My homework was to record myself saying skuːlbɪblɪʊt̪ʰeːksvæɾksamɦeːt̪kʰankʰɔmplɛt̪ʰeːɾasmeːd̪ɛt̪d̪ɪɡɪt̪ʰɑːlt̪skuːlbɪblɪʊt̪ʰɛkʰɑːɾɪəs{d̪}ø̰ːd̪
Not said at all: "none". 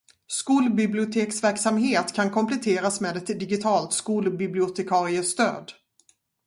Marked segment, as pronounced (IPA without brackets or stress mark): t̪